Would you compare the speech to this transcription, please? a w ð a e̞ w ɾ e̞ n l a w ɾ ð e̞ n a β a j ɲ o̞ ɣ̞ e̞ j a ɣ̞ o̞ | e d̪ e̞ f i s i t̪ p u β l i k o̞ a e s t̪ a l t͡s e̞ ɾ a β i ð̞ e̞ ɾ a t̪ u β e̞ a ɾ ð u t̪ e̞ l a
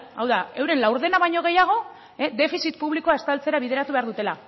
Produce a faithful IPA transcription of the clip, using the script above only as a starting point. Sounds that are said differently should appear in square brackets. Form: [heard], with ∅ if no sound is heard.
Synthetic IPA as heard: a w ð a e̞ w ɾ e̞ n l a w ɾ ð e̞ n a β a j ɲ o̞ ɣ̞ e̞ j a ɣ̞ o̞ | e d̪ e̞ f i s i t̪ p u β l i k o̞ a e s t̪ a l t͡s e̞ ɾ a β i ð̞ e̞ ɾ a t̪ u β e̞ a ɾ ð u t̪ e̞ l a